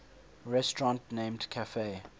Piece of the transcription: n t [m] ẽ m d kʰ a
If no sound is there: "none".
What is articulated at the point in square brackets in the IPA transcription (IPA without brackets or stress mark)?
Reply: n